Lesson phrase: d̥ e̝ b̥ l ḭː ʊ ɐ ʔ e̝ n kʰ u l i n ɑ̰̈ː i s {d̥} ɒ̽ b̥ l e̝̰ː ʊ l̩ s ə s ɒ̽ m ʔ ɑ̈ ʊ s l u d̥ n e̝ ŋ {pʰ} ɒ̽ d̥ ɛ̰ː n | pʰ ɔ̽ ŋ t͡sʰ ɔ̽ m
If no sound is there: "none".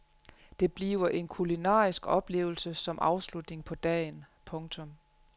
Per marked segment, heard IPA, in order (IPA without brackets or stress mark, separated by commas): ɡ̥, pʰ